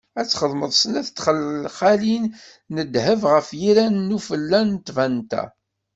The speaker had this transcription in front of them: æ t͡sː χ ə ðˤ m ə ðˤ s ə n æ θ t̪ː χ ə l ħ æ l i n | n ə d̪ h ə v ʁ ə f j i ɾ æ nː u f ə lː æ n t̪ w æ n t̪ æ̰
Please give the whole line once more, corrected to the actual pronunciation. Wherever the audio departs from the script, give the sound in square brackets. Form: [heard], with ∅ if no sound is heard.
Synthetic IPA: æ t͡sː χ ə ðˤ m ə ðˤ s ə n æ θ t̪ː χ ə l [χ] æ l i n | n ə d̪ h ə v ʁ ə f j i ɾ æ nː u f ə lː æ n t̪ [v] æ n t̪ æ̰